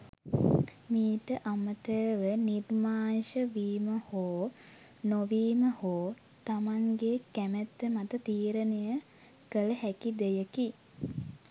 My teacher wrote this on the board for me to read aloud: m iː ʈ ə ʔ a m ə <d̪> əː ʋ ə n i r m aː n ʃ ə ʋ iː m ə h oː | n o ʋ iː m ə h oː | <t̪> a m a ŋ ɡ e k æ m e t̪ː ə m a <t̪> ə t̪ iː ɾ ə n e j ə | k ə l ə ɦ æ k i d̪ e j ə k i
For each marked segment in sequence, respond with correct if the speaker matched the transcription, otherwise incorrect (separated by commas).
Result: incorrect, correct, correct